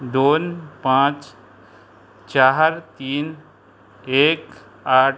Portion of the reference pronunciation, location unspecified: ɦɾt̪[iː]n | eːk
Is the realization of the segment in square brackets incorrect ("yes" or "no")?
no